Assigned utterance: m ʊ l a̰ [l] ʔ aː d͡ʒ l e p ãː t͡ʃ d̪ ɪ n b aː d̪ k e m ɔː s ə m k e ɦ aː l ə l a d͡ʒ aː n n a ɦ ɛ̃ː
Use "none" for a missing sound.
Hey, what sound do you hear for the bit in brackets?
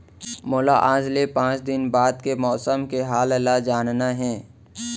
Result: none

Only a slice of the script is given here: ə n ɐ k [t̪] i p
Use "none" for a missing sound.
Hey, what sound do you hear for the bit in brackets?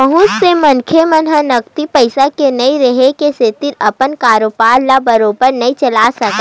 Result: t̪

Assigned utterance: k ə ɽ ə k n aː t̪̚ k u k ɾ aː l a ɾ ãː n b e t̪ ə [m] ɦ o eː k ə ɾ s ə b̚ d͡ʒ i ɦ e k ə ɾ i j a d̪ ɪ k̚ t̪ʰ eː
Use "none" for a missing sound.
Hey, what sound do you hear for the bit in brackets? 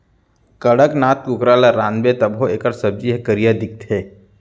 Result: b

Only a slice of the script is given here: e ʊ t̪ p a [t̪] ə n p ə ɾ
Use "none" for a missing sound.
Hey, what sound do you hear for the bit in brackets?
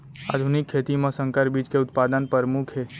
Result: d̪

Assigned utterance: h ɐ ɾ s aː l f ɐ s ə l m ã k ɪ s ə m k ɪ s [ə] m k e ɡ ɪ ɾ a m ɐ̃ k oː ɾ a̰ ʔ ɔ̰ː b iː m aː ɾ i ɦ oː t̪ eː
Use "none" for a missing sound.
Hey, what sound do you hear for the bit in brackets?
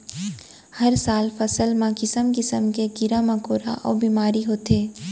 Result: ə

